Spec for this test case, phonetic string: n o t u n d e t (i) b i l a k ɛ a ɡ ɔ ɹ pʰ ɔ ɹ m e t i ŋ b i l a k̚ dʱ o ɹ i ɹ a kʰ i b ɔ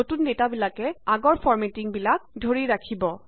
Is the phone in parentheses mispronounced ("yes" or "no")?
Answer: yes